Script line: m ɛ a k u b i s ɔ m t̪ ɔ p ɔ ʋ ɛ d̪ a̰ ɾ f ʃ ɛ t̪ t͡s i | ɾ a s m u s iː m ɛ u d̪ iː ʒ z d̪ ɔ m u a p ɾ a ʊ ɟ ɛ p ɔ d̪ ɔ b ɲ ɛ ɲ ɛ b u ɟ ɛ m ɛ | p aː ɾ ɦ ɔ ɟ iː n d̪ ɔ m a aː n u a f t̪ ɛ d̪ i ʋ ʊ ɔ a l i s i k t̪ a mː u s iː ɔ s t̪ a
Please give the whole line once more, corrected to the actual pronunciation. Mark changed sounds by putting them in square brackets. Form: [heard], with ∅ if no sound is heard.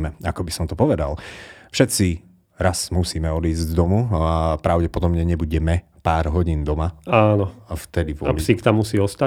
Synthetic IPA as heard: m ɛ a k [ɔ] b i s ɔ m t̪ ɔ p ɔ ʋ ɛ d̪ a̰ [l] f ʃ ɛ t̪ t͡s i | ɾ a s m u s iː m ɛ [ɔ] d̪ iː [z] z d̪ ɔ m u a p ɾ a ʊ ɟ ɛ p ɔ d̪ ɔ b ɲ ɛ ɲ ɛ b u ɟ ɛ m ɛ | p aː ɾ ɦ ɔ ɟ iː n d̪ ɔ m a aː n [ɔ] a f t̪ ɛ d̪ i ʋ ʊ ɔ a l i s i k t̪ a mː u s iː ɔ s t̪ a